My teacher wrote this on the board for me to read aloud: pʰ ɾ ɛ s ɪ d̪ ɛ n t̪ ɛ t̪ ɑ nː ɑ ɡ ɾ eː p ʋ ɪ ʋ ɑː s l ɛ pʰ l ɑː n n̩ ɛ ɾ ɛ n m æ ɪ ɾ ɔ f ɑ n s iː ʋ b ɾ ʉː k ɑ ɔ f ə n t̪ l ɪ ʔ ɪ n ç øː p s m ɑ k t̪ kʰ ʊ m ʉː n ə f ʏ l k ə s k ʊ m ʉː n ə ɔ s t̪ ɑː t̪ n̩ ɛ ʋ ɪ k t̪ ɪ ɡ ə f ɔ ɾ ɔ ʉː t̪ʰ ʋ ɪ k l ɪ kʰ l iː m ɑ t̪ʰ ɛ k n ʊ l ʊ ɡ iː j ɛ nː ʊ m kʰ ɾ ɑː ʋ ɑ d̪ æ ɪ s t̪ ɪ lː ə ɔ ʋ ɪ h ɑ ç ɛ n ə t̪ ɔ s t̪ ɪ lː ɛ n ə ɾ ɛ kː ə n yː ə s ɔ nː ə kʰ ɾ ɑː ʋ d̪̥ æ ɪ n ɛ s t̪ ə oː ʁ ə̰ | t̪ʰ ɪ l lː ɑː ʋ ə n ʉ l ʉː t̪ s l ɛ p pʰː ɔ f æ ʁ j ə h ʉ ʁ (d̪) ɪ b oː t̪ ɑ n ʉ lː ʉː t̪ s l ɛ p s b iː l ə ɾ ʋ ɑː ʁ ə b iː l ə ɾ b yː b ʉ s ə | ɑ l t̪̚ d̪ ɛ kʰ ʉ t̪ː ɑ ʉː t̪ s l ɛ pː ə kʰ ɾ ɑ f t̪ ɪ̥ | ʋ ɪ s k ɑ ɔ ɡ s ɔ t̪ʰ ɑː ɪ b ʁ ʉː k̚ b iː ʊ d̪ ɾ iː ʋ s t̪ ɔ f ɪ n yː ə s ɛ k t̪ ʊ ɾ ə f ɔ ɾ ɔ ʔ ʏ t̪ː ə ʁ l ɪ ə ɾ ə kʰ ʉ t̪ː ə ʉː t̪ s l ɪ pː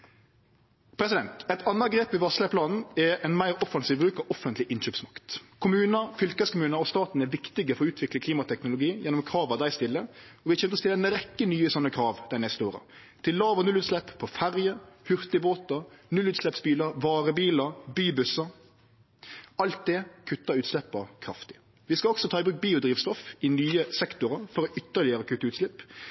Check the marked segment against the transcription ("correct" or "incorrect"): incorrect